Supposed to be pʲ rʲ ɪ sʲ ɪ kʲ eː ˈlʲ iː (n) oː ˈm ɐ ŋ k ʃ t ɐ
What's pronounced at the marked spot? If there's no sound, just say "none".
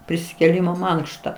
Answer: m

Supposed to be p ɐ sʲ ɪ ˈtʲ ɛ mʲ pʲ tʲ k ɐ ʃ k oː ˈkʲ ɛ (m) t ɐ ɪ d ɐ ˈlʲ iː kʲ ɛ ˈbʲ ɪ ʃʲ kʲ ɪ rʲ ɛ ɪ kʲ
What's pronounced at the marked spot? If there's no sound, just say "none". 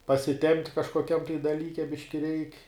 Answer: m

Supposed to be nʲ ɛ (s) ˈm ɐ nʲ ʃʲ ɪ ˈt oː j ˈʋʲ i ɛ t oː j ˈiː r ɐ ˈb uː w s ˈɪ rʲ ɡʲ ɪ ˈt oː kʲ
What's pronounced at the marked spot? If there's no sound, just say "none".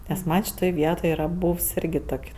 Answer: s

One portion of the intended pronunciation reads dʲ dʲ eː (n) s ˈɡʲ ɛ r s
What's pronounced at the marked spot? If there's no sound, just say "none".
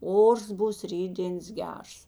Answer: n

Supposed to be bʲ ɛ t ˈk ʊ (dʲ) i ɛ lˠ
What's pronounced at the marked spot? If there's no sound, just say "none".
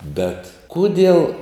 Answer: dʲ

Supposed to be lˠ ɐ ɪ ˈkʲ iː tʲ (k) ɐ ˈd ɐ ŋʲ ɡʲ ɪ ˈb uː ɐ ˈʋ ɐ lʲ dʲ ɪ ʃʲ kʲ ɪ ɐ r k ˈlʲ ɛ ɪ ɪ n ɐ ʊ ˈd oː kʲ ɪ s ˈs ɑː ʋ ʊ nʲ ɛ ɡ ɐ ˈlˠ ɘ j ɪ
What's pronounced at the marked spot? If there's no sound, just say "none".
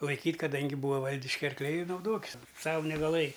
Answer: k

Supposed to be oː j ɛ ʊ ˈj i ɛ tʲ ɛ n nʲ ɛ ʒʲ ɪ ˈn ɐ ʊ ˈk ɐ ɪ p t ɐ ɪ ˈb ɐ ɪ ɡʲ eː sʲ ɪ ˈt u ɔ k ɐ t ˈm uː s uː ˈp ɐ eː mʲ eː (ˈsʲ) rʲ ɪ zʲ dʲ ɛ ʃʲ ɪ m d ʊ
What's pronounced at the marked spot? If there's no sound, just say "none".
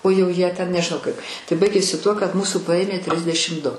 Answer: tʲ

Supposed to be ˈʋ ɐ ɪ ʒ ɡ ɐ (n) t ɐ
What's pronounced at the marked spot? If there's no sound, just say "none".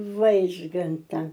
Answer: n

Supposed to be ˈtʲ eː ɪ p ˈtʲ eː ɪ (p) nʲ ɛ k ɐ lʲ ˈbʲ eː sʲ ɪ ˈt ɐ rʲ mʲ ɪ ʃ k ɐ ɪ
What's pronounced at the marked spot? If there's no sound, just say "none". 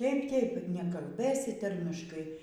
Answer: p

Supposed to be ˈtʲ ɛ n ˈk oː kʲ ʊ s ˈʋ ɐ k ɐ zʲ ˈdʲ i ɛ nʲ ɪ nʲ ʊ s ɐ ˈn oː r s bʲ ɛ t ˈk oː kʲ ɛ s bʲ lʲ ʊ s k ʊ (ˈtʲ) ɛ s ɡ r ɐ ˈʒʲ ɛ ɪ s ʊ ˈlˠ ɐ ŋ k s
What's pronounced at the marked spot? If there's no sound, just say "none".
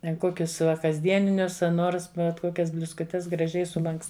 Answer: tʲ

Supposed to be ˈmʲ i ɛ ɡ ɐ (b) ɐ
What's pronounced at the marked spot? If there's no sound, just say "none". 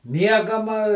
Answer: m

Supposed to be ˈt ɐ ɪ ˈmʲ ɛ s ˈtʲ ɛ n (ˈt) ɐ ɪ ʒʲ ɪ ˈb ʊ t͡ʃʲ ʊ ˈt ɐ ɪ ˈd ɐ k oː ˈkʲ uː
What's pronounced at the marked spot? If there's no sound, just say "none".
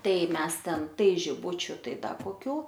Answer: t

